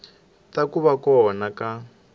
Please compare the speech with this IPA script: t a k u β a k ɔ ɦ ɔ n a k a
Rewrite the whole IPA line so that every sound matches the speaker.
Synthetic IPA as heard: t a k u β a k ɔ ɦ ɔ n a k a